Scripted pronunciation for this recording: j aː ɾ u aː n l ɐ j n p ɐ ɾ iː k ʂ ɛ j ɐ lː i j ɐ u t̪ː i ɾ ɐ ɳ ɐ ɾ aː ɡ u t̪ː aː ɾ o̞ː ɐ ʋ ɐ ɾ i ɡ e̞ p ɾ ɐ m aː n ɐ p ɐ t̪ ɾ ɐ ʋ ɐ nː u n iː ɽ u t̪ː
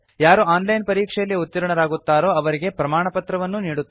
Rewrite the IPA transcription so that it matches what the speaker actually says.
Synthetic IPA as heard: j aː ɾ u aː n l ɐ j n p ɐ ɾ iː k ʂ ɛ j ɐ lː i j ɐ u t̪ː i ɾ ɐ ɳ ɐ ɾ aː ɡ u t̪ː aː ɾ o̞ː ɐ ʋ ɐ ɾ i ɡ e̞ p ɾ ɐ m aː ɳ ɐ p ɐ t̪ ɾ ɐ ʋ ɐ nː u n iː ɽ u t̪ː